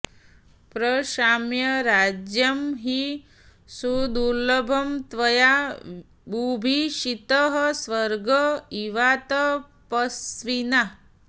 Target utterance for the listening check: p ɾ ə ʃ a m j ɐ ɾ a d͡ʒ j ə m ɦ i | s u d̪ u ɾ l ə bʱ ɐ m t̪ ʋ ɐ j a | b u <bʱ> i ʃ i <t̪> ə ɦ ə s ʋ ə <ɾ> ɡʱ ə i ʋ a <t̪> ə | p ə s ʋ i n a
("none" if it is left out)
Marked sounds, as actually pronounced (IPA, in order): bʱ, t̪, ɾ, t̪

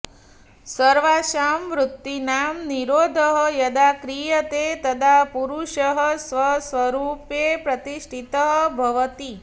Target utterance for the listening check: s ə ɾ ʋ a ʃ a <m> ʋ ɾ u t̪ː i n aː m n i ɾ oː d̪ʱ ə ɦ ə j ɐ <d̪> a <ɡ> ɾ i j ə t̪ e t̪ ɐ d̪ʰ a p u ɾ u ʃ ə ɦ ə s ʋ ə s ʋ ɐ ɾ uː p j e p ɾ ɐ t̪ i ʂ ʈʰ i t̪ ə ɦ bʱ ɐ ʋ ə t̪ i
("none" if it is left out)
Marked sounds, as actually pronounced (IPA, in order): m, d̪, k

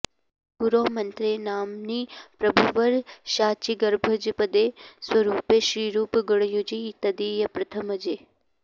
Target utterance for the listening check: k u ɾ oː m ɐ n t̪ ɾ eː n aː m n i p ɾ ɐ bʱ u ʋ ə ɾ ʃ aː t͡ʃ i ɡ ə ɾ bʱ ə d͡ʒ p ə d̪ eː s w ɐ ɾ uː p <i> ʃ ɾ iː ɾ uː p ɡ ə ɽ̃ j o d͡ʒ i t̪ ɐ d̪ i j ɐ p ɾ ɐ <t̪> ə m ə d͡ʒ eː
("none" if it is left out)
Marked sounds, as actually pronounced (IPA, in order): e, t̪ʰ

